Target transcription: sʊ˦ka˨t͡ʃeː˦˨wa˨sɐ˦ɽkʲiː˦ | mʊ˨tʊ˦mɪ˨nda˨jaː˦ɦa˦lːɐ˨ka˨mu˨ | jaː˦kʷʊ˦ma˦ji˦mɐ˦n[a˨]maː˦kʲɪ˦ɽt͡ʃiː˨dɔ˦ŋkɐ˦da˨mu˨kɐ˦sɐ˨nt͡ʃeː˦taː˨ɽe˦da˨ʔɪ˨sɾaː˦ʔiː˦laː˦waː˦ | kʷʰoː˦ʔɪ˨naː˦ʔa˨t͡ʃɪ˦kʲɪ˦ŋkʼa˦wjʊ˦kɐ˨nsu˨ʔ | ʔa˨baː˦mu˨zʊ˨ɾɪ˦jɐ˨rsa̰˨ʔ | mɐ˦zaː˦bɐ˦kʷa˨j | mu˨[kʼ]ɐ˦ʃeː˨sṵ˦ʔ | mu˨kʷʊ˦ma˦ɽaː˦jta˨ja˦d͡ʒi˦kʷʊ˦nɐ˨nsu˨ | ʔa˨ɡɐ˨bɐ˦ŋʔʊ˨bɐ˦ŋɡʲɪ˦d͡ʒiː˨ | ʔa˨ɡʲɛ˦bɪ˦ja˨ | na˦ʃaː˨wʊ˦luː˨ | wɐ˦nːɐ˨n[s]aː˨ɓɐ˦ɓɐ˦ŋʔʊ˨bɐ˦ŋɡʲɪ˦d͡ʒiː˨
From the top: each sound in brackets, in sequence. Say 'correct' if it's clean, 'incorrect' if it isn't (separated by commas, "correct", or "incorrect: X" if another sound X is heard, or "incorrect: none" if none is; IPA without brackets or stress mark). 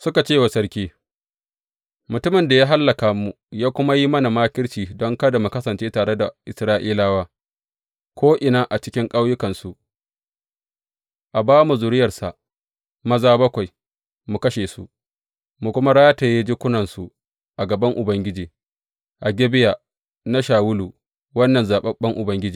correct, incorrect: k, incorrect: z